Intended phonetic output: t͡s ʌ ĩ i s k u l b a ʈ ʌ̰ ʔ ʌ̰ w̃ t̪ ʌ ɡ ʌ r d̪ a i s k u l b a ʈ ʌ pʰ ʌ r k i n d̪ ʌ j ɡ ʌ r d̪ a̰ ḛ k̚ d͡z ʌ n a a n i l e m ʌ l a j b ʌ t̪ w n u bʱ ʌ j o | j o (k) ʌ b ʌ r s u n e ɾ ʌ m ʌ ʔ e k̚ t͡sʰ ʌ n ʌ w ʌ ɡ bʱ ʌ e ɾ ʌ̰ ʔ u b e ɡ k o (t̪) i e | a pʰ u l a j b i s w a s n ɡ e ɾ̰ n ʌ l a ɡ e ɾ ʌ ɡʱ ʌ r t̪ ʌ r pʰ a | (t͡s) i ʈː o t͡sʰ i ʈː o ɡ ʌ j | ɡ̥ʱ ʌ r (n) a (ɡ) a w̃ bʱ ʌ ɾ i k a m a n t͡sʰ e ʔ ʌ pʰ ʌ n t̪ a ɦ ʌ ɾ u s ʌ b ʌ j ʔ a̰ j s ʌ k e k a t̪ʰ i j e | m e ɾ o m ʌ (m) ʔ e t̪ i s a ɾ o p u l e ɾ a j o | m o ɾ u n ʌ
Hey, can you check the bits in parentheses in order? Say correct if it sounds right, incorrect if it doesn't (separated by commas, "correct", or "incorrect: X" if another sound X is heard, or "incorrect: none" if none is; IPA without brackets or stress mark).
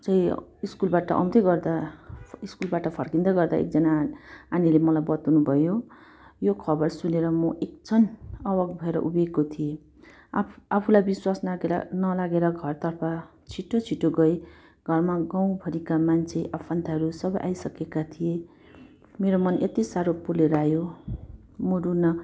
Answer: incorrect: kʰ, incorrect: t̪ʰ, incorrect: t͡sʰ, incorrect: m, correct, incorrect: n